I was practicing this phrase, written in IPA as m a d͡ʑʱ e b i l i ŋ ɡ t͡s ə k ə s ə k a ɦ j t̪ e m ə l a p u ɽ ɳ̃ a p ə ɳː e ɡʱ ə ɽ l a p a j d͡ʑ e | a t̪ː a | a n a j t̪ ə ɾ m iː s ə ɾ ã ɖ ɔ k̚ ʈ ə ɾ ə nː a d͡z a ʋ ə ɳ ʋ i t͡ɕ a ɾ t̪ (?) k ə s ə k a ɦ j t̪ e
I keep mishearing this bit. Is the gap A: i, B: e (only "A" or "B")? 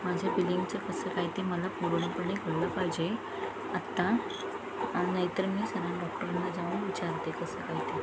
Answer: B